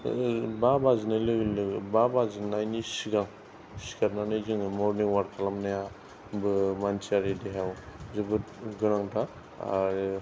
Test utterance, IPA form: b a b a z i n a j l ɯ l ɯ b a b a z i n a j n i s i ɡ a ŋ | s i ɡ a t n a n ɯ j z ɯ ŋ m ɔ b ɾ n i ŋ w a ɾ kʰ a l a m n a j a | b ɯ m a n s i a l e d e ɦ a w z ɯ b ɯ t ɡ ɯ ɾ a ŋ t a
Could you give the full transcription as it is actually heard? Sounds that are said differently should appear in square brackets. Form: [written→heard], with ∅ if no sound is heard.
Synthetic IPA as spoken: b a b a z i n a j l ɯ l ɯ b a b a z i n a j n i s i ɡ a ŋ | s i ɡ a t n a n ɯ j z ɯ ŋ m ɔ [b→∅] ɾ n i ŋ w a ɾ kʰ a l a m n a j a | b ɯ m a n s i a [l→ɾ] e d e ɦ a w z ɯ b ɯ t ɡ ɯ ɾ a ŋ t a